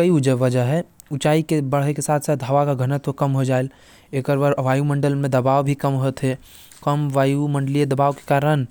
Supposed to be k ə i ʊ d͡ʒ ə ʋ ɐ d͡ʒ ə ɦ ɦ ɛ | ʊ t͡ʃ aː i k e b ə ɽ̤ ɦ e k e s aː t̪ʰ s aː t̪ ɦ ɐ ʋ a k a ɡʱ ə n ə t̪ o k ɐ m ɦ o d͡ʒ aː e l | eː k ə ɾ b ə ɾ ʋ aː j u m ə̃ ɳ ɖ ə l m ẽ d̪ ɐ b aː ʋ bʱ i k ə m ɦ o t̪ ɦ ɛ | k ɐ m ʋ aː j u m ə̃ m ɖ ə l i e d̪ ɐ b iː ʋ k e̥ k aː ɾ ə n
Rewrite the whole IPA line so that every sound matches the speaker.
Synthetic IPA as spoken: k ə i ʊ d͡ʒ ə ʋ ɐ d͡ʒ ə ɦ ɦ ɛ | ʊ t͡ʃ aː i k e b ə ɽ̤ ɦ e k e s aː t̪ʰ s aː t̪ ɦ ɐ ʋ a k a ɡʱ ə n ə t̪ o k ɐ m ɦ o d͡ʒ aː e l | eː k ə ɾ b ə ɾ ʋ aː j u m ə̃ ɳ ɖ ə l m ẽ d̪ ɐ b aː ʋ bʱ i k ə m ɦ o t̪ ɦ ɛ | k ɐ m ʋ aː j u m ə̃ ɳ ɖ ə l i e d̪ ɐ b aː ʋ k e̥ k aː ɾ ə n